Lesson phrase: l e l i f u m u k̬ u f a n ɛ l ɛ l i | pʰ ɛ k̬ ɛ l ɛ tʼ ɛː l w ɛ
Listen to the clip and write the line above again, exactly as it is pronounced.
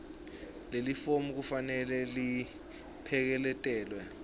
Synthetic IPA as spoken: l e l i f o m u k̬ u f a n ɛ l ɛ l i | pʰ ɛ k̬ ɛ l ɛ tʼ ɛː l w ɛ